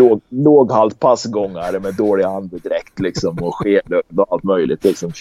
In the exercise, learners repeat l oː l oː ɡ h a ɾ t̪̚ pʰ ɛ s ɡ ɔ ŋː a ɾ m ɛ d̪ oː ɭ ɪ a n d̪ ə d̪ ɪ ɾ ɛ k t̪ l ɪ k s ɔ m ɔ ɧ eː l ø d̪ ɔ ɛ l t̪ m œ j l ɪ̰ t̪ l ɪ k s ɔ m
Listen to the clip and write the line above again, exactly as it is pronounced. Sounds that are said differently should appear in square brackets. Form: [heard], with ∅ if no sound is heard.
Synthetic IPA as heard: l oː l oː ɡ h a [l] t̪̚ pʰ [a] s ɡ ɔ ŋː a ɾ m ɛ d̪ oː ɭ ɪ a n d̪ ə d̪ ɪ ɾ ɛ k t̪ l ɪ k s ɔ m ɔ ɧ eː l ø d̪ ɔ [a] l t̪ m œ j l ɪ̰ t̪ l ɪ k s ɔ m